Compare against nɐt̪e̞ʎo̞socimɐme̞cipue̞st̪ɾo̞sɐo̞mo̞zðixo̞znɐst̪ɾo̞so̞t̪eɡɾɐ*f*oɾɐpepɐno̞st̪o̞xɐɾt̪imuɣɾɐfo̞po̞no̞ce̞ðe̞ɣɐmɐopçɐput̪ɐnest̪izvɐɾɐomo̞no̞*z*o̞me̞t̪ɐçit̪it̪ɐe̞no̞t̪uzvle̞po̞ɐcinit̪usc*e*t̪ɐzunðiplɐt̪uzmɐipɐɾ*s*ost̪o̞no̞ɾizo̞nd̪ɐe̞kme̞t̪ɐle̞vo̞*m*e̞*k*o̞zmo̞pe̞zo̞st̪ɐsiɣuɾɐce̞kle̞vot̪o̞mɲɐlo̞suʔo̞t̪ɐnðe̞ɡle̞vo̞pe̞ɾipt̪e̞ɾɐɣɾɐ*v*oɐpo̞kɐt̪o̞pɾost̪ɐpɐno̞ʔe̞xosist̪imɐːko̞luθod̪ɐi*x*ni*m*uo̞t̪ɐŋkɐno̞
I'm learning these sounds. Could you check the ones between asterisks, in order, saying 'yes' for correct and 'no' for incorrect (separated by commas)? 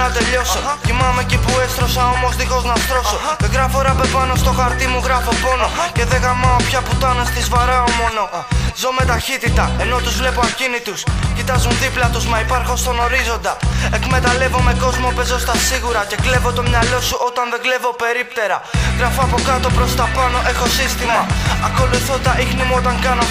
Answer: yes, yes, no, no, yes, yes, no, yes, yes